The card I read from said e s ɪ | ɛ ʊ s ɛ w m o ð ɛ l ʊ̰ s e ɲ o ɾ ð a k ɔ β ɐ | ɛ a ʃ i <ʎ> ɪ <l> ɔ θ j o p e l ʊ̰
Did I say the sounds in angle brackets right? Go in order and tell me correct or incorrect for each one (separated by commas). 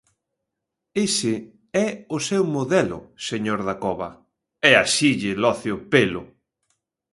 correct, correct